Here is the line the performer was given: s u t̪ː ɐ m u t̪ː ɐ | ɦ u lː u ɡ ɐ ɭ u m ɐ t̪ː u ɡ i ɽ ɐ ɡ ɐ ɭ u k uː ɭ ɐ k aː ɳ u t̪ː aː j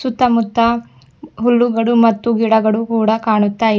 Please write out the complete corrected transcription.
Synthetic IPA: s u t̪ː ɐ m u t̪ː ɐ | ɦ u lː u ɡ ɐ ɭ u m ɐ t̪ː u ɡ i ɽ ɐ ɡ ɐ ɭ u k uː ɽ ɐ k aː ɳ u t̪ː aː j